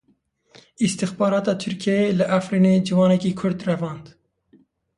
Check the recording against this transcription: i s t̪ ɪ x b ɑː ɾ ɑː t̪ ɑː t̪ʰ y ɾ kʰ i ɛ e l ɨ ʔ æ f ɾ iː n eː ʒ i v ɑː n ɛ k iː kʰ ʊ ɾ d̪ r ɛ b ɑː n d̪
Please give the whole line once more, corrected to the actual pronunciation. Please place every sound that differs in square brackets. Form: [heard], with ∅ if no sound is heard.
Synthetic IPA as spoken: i s t̪ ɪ x b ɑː ɾ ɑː t̪ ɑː t̪ʰ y ɾ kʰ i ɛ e l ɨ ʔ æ f ɾ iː n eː [d͡ʒ] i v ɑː n ɛ k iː kʰ ʊ ɾ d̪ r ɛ [v] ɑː n d̪